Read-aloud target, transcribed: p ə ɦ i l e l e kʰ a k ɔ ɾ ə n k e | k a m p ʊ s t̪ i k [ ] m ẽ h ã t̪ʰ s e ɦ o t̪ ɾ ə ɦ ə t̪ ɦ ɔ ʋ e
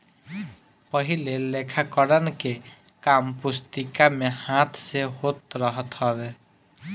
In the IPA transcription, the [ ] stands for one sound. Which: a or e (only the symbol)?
a